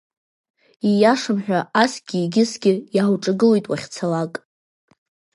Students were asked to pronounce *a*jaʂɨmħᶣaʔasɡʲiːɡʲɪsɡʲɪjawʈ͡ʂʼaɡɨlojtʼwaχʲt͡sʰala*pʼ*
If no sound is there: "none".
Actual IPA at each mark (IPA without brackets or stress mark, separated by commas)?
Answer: i, kʼ